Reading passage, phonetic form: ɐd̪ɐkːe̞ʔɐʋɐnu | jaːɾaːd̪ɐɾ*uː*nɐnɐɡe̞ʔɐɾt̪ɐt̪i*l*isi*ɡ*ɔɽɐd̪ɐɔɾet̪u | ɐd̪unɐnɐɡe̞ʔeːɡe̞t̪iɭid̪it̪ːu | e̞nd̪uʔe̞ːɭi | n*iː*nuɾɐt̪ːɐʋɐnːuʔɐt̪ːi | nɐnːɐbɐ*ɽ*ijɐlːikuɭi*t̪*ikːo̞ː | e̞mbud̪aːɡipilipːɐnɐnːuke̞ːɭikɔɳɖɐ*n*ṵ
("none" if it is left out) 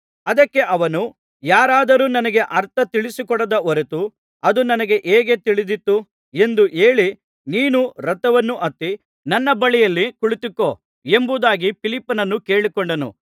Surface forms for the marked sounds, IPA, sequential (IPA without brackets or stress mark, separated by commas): uː, ɭ, k, iː, ɭ, t̪, n